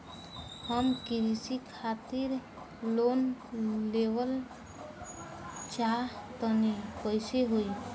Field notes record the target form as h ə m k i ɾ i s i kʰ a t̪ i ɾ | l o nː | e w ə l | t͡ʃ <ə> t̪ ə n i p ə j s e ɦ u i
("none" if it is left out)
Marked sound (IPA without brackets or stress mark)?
a